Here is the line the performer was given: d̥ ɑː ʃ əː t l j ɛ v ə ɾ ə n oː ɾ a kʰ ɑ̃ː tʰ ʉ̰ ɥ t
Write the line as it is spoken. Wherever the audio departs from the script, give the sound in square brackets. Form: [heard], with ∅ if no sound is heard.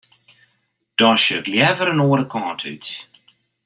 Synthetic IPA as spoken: d̥ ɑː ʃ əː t l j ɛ v ə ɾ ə n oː ɾ [ə] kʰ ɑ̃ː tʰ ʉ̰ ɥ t